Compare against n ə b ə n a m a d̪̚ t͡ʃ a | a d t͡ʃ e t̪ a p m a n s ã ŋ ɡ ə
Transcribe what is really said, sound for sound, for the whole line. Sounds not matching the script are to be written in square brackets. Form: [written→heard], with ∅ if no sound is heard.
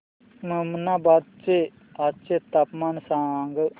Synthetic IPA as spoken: [n→m] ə [b→m] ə n a [m→b] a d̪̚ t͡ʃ [a→e] | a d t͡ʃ e t̪ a p m a n s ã ŋ ɡ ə